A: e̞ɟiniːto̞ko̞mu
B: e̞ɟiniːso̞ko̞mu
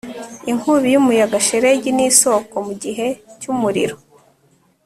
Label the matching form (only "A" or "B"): B